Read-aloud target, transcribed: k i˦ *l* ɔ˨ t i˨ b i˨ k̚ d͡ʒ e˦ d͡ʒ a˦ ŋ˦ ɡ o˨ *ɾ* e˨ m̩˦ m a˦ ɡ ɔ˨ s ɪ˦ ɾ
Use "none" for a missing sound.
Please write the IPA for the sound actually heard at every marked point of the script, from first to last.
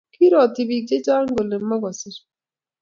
ɾ, l

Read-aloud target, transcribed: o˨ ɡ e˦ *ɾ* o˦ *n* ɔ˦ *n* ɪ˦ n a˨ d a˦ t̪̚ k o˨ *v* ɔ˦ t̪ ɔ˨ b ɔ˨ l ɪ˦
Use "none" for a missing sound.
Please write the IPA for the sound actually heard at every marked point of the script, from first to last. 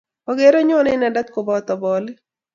ɾ, ɲ, n, b

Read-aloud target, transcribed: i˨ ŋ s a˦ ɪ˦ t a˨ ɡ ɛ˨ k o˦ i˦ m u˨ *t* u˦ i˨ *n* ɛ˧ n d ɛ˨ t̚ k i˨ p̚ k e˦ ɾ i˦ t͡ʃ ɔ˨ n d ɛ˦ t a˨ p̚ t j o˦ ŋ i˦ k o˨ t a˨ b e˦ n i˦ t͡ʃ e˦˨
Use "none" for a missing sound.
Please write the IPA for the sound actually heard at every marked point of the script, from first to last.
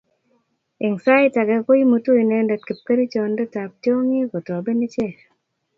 t, n

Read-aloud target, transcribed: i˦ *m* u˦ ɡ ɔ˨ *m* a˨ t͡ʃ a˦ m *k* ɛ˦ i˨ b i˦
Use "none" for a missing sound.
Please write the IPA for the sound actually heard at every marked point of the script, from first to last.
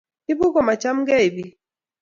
b, m, ɡ

